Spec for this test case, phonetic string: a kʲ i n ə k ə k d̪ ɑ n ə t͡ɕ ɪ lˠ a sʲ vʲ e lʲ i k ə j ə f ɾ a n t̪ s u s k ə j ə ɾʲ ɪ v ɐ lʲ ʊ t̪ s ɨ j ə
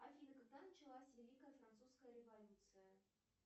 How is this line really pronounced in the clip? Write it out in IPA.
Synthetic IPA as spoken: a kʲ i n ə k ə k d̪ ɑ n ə t͡ɕ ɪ lˠ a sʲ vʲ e lʲ i k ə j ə f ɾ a n t̪ s u s k ə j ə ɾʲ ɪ v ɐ lʲ u t̪ s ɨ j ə